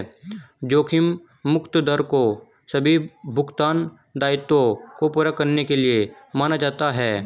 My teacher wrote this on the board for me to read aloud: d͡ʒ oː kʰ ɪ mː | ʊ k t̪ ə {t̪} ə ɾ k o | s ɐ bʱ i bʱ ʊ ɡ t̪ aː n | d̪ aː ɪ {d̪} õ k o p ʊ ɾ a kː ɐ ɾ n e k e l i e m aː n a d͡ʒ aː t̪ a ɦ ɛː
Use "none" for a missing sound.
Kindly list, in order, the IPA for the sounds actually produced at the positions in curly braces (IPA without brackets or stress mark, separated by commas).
d̪, t̪